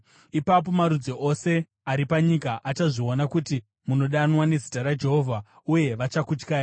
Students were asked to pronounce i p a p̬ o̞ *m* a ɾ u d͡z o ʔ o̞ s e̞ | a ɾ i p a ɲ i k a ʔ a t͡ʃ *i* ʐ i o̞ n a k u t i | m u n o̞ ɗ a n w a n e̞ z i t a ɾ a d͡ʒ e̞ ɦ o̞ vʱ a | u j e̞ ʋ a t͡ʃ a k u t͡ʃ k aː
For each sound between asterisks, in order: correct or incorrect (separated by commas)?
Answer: correct, incorrect